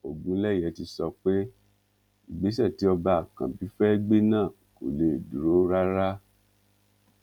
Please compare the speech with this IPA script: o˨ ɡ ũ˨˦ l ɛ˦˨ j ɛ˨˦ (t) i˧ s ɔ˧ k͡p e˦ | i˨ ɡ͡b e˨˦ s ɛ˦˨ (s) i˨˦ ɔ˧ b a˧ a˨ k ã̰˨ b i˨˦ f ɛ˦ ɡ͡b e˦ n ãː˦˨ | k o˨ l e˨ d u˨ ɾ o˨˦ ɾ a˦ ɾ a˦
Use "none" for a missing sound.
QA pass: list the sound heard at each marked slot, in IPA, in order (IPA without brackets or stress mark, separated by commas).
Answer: t, t